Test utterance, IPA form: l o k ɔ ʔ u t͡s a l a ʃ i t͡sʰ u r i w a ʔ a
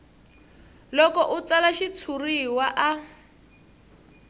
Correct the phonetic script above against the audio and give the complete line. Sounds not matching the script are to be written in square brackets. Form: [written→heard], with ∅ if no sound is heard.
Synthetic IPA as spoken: l [o→ɔ] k ɔ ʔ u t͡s a l a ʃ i t͡sʰ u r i w a ʔ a